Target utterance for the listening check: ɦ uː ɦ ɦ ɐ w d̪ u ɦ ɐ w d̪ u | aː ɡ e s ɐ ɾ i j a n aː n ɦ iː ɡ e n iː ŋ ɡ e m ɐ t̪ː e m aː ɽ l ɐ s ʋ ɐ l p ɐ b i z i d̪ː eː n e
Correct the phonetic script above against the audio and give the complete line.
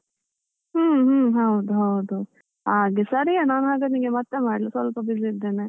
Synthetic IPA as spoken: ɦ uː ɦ ɦ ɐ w d̪ u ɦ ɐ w d̪ u | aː ɡ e s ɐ ɾ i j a n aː n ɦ aː ɡ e n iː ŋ ɡ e m ɐ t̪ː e m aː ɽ l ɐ s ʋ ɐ l p ɐ b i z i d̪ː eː n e